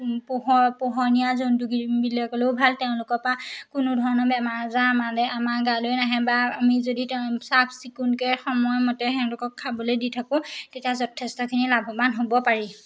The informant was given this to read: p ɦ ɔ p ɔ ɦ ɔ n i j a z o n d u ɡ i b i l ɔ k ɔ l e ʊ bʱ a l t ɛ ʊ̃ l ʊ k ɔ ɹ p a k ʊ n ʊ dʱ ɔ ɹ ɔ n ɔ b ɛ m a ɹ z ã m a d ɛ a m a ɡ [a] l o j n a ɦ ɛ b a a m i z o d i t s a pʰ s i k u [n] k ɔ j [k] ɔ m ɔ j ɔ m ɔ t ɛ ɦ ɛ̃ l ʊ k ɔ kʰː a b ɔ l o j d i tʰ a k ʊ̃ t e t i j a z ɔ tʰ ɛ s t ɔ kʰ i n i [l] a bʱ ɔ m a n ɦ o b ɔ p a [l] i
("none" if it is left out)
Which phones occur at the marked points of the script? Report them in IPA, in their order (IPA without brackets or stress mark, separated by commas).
a, n, x, l, ɹ